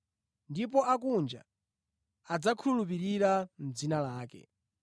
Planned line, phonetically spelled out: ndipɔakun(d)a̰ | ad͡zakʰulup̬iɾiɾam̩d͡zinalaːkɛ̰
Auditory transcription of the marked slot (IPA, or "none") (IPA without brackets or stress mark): d͡ʒ